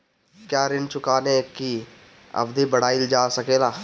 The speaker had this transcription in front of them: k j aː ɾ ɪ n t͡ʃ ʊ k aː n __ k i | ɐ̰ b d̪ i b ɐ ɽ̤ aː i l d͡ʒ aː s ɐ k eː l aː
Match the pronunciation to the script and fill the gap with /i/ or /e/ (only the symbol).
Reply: e